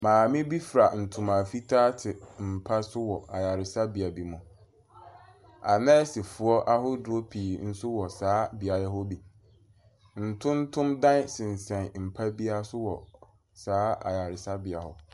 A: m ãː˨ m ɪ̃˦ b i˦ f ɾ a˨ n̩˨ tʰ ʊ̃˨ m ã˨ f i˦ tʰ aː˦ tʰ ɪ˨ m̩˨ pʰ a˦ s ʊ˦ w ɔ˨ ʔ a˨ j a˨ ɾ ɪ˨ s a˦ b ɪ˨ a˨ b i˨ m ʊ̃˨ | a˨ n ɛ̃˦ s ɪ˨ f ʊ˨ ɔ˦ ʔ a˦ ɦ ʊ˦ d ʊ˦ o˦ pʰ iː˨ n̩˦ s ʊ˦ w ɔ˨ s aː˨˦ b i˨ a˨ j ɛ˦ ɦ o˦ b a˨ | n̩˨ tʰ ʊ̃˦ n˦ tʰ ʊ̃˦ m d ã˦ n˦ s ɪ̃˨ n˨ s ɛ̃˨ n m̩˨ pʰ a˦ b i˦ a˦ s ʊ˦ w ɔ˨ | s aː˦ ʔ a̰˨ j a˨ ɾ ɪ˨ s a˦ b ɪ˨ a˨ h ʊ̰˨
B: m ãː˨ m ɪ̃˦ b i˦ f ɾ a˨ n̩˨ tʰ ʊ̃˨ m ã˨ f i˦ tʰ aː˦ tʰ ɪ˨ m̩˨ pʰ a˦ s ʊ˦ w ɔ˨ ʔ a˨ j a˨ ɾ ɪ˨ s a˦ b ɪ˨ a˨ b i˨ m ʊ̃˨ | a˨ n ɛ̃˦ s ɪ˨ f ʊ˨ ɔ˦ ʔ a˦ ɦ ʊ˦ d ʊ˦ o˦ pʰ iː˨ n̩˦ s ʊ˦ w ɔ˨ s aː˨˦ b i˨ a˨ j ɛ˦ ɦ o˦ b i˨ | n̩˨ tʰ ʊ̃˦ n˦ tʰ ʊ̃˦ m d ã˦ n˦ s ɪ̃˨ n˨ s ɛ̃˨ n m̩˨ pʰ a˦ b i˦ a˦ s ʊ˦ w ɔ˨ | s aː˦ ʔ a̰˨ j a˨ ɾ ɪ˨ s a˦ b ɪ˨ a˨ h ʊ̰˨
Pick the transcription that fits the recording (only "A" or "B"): B